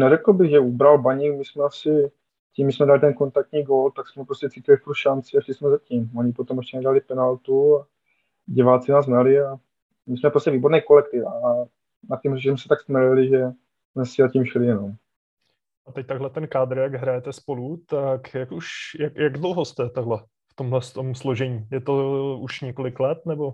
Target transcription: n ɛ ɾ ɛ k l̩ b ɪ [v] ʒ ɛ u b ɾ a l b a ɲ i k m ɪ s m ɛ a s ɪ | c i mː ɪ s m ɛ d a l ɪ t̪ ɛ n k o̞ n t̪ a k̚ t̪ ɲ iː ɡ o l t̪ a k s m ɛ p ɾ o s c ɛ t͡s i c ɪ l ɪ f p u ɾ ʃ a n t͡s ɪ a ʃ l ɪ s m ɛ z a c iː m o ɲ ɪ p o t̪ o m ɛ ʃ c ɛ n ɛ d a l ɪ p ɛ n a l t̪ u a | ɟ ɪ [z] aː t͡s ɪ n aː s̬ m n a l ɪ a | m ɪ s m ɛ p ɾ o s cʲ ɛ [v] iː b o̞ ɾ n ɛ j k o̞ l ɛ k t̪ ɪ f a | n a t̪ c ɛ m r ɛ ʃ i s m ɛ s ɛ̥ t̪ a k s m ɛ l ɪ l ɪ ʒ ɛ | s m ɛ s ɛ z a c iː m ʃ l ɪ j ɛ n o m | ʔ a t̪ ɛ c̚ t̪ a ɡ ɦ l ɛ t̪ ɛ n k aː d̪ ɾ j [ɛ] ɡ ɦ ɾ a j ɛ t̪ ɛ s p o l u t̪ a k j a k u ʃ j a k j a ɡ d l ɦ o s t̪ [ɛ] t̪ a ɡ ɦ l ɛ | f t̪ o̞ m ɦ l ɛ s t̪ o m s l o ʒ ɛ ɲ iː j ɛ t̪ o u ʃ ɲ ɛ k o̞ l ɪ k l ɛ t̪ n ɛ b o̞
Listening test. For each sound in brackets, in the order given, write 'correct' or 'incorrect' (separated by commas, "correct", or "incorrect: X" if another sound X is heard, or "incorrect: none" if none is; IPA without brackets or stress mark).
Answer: incorrect: ɣ, incorrect: v, correct, incorrect: a, correct